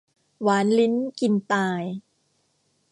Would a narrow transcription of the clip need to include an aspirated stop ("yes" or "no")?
no